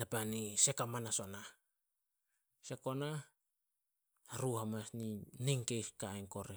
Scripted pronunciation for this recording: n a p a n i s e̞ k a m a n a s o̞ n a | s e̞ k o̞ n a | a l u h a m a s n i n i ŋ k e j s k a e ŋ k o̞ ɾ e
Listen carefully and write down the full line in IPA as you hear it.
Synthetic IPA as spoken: n a p a n i s e̞ k a m a n a s o̞ n a | s e̞ k o̞ n a | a ɾ u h a m a s n i n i ŋ k e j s k a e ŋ k o̞ ɾ e